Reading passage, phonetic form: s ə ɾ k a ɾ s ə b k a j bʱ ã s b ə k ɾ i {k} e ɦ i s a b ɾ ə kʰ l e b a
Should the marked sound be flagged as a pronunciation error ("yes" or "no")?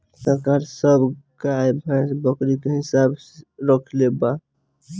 no